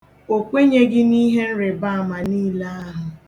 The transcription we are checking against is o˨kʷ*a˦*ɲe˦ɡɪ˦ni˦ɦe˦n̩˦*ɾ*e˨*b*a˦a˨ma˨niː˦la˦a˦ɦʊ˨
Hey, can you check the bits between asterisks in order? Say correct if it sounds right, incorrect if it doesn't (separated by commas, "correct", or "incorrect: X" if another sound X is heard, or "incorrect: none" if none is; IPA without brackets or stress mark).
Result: incorrect: e˦, correct, correct